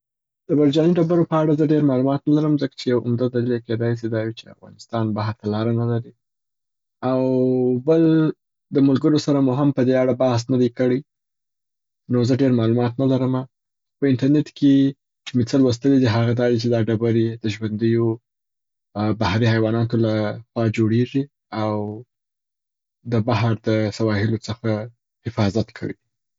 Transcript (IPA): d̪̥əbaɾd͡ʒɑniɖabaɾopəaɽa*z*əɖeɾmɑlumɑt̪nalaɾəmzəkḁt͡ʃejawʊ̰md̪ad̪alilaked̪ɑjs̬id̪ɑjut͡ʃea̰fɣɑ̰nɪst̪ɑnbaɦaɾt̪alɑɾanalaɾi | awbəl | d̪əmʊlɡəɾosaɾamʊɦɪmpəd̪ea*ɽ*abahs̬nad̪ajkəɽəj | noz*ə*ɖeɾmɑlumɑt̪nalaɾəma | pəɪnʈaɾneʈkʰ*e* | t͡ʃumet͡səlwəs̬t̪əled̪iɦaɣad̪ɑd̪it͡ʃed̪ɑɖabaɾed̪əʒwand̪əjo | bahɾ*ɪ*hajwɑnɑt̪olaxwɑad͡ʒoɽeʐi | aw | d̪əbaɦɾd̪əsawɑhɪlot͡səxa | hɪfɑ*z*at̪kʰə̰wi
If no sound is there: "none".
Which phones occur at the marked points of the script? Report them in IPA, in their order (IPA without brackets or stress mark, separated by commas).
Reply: z, ɽ, ə, e, i, z